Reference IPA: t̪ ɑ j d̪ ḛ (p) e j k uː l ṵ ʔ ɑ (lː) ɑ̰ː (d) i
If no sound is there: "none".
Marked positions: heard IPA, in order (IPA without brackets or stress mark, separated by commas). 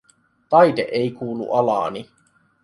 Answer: ʔ, l, n